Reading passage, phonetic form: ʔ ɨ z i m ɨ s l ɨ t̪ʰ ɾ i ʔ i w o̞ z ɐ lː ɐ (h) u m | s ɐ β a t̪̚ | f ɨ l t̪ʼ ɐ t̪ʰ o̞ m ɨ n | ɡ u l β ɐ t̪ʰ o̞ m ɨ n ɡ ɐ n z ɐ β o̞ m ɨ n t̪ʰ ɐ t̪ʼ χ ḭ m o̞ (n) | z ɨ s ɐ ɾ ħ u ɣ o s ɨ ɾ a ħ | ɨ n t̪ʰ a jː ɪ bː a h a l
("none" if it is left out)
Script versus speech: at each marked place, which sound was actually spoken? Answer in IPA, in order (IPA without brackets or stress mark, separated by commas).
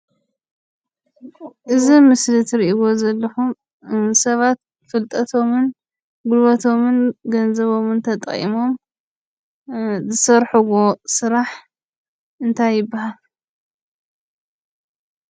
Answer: x, m